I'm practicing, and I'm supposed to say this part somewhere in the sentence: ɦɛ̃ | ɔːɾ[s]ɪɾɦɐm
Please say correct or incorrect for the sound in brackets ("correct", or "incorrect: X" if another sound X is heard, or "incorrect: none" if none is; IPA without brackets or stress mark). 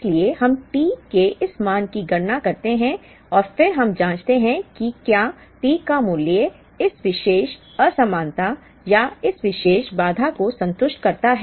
incorrect: f